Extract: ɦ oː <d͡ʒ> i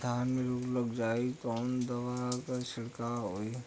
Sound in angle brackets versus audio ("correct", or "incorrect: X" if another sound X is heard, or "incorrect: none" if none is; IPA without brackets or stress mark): incorrect: none